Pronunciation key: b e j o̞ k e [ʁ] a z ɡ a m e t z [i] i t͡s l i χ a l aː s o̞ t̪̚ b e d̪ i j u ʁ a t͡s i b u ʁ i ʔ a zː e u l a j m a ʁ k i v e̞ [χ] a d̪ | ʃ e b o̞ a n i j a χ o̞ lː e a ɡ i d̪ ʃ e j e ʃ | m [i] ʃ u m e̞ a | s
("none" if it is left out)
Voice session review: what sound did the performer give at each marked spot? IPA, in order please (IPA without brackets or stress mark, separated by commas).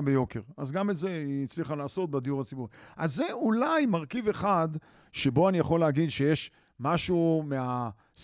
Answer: ʁ, e, χ, a